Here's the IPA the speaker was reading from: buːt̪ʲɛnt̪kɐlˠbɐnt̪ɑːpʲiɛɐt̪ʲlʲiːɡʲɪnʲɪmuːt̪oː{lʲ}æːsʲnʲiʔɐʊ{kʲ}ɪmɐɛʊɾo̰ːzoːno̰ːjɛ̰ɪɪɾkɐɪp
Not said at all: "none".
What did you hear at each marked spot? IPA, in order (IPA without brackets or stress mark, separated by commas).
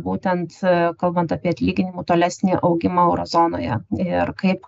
lʲ, ɡʲ